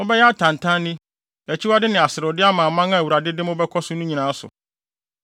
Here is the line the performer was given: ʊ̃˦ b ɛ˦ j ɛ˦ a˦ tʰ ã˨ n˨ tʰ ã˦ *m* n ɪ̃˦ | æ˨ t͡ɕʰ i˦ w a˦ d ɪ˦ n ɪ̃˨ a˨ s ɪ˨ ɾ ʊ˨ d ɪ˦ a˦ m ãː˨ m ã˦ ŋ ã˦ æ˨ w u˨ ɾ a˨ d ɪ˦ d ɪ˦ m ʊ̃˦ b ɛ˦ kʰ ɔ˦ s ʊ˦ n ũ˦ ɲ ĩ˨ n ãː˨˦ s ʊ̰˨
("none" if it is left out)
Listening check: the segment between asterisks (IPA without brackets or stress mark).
none